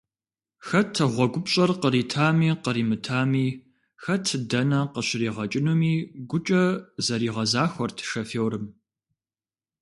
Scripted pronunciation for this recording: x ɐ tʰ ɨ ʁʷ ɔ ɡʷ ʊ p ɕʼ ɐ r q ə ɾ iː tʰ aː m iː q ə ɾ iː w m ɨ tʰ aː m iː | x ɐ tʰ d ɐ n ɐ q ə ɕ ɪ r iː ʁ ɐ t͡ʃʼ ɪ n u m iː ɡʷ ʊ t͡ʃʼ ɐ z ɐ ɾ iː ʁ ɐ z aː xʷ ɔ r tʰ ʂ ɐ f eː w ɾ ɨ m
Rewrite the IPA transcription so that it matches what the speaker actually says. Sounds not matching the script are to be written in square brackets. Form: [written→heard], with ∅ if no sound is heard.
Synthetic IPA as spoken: x ɐ tʰ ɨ ʁʷ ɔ ɡʷ ʊ p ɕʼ ɐ r q ə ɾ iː tʰ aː m iː q ə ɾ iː [w→∅] m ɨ tʰ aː m iː | x ɐ tʰ d ɐ n ɐ q ə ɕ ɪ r iː ʁ ɐ t͡ʃʼ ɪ n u m iː ɡʷ ʊ t͡ʃʼ ɐ z ɐ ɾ iː ʁ ɐ z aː xʷ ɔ r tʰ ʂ ɐ f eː w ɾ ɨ m